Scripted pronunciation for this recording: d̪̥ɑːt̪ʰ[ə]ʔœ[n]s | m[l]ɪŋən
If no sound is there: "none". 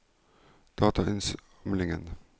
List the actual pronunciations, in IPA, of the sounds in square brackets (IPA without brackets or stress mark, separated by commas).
ɑ, n, l